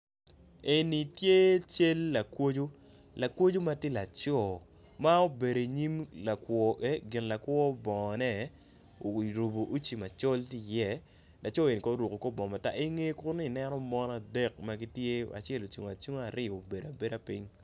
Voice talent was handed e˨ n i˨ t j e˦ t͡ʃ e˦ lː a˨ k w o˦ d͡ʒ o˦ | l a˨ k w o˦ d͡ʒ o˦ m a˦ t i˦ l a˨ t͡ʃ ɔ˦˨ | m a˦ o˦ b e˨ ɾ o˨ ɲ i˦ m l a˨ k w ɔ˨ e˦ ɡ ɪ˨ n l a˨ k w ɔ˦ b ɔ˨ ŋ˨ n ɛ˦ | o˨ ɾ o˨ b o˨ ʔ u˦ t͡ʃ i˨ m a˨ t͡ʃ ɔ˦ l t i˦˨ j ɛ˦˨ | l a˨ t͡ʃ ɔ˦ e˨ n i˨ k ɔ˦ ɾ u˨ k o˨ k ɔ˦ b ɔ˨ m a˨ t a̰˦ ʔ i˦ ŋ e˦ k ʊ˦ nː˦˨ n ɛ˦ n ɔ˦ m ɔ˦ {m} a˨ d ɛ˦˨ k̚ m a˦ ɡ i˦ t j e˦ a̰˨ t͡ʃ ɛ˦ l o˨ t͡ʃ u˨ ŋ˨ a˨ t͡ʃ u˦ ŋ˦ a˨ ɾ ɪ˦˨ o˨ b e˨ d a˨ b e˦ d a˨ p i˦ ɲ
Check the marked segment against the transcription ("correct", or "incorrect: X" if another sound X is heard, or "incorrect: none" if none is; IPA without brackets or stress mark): incorrect: n